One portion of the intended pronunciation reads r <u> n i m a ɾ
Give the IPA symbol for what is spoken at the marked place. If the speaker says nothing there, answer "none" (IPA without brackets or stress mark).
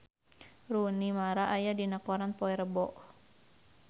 u